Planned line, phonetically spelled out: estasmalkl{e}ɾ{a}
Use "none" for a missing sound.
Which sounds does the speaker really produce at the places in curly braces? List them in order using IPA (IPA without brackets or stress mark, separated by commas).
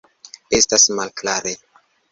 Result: a, e